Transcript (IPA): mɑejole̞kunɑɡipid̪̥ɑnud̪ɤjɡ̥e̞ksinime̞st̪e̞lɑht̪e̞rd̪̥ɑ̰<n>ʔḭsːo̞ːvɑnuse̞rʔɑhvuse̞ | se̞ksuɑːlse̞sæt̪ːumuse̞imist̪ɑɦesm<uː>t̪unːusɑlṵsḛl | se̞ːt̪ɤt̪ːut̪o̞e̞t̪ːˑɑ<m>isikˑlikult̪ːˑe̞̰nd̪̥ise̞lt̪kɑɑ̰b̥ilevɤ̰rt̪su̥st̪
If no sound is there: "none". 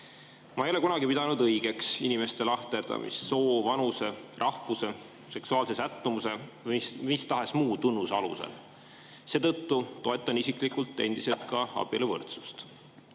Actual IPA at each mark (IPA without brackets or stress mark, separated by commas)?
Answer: m, uː, n